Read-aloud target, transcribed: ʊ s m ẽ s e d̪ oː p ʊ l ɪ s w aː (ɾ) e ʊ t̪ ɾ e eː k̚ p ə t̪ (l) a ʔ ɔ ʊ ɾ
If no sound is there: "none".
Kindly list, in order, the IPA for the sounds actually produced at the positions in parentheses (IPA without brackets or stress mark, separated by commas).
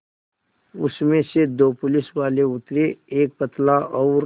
l, l